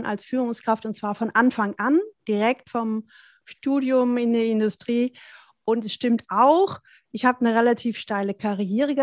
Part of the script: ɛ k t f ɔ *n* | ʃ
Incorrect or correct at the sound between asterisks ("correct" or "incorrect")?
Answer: incorrect